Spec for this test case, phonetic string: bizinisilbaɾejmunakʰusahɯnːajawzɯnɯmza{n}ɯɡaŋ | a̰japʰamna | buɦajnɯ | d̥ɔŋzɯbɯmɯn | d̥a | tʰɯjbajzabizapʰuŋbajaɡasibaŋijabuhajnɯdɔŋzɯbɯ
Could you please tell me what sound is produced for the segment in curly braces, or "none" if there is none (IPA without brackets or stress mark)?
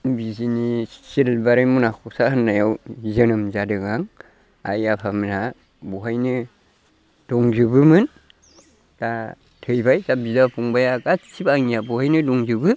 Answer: d